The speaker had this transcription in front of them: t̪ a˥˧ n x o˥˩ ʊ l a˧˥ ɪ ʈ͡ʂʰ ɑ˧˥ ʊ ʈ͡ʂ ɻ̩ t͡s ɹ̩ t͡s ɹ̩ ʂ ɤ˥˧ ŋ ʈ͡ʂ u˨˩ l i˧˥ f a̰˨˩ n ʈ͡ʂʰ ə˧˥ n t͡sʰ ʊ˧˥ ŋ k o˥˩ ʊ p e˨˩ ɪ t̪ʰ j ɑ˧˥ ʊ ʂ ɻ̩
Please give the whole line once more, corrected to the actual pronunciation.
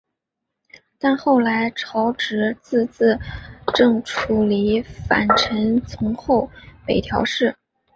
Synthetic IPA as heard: t̪ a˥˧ n x o˥˩ ʊ l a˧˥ ɪ ʈ͡ʂʰ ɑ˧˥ ʊ ʈ͡ʂ ɻ̩ t͡s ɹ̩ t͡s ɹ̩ ʈ͡ʂ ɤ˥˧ ŋ ʈ͡ʂʰ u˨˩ l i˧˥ f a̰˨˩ n ʈ͡ʂʰ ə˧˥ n t͡sʰ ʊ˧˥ ŋ x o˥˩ ʊ p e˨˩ ɪ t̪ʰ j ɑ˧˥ ʊ ʂ ɻ̩

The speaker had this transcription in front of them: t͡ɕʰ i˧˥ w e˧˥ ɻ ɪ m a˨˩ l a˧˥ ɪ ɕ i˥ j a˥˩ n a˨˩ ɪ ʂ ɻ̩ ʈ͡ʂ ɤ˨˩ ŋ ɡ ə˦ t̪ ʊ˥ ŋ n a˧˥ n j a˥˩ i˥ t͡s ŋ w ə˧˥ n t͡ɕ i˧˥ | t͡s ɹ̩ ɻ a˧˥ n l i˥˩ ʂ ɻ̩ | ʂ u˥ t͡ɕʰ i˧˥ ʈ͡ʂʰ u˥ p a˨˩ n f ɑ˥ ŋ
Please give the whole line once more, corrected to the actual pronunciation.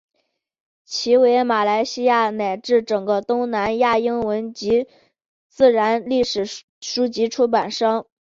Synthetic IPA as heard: t͡ɕʰ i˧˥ w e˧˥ ɪ m a˨˩ l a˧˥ ɪ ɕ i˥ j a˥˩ n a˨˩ ɪ ʈ͡ʂ ɻ̩ ʈ͡ʂ ɤ˨˩ ŋ ɡ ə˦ t̪ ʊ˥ ŋ n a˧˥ n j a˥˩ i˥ ŋ w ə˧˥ n t͡ɕ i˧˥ | t͡s ɹ̩ ɻ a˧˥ n l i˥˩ ʂ ɻ̩ | ʂ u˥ t͡ɕ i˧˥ ʈ͡ʂʰ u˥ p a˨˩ n ʂ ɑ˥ ŋ

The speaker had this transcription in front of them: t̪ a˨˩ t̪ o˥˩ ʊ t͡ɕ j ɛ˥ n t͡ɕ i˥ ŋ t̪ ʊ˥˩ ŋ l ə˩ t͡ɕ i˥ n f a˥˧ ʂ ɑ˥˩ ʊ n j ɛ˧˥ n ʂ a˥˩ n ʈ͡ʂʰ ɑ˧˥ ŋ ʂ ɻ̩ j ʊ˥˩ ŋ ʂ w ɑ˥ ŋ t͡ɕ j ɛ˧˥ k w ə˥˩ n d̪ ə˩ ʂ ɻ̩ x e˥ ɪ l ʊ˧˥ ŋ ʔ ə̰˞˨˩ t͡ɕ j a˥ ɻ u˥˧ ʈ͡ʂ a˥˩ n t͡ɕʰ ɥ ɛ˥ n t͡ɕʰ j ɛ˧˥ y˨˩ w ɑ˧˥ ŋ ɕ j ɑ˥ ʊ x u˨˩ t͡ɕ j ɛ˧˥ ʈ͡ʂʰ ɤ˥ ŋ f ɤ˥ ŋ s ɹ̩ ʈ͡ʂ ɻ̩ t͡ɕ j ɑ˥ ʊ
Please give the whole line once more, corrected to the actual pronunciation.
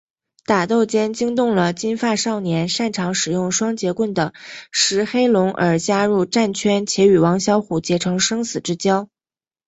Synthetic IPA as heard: t̪ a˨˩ t̪ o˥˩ ʊ t͡ɕ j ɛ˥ n t͡ɕ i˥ ŋ t̪ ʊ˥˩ ŋ l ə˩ t͡ɕ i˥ n f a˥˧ ʂ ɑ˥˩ ʊ n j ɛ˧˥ n ʂ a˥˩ n ʈ͡ʂʰ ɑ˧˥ ŋ ʂ ɻ̩ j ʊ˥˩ ŋ ʂ w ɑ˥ ŋ t͡ɕ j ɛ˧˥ k w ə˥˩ n d̪ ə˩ ʂ ɻ̩ x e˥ ɪ l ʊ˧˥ ŋ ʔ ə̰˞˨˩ t͡ɕ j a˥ ɻ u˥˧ ʈ͡ʂ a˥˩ n t͡ɕʰ ɥ ɛ˥ n t͡ɕʰ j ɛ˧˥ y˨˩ w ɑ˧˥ ŋ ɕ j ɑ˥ ʊ x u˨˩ t͡ɕ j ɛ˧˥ ʈ͡ʂʰ ɤ˧˥ ŋ ʂ ɤ˥ ŋ s ɹ̩ ʈ͡ʂ ɻ̩ t͡ɕ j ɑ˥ ʊ

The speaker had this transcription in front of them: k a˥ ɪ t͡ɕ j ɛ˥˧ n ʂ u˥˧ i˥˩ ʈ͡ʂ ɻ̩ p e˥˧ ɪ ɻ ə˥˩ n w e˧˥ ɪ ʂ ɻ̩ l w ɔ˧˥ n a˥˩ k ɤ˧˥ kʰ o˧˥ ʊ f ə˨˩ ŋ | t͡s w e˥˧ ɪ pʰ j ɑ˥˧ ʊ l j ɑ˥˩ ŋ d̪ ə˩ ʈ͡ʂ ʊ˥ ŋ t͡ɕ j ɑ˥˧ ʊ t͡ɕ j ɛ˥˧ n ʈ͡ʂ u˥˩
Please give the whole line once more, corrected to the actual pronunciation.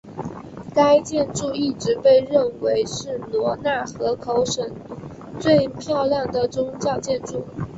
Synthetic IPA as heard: k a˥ ɪ t͡ɕ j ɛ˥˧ n ʈ͡ʂ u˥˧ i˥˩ ʈ͡ʂ ɻ̩ p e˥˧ ɪ ɻ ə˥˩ n w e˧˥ ɪ ʂ ɻ̩ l w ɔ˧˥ n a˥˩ x ɤ˧˥ kʰ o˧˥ ʊ ʂ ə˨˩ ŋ | t͡s w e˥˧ ɪ pʰ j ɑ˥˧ ʊ l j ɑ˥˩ ŋ d̪ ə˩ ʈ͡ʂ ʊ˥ ŋ t͡ɕ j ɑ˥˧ ʊ t͡ɕ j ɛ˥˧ n ʈ͡ʂ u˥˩

